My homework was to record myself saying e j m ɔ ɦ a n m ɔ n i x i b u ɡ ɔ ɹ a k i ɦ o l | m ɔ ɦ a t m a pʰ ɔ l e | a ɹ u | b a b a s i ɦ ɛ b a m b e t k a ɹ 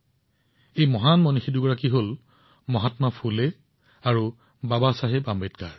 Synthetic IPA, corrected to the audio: e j m ɔ ɦ a n m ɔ n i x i d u ɡ ɔ ɹ a k i ɦ o l | m ɔ ɦ a t m a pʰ u l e | a ɹ u | b a b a s a ɦ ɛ b a m b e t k a ɹ